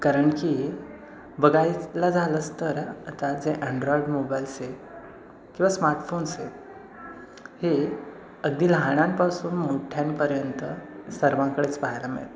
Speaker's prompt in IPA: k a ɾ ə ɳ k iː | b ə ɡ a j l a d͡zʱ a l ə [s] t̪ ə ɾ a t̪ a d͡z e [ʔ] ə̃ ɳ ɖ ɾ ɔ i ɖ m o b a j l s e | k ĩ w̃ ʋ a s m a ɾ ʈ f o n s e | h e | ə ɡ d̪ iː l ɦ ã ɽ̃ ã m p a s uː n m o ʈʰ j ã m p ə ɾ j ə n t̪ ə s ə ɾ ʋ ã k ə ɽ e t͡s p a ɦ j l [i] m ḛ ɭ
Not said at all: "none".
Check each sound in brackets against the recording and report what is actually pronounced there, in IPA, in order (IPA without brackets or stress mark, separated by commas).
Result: s, ʔ, a